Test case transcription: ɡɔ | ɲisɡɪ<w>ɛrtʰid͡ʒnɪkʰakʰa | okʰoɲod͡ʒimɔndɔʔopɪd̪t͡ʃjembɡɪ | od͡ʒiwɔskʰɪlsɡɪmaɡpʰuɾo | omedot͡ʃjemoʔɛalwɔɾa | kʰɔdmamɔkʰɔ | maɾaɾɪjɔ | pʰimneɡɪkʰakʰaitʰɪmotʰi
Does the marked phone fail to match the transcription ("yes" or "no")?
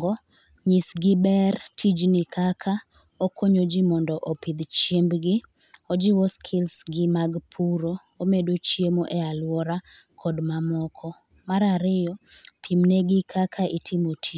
yes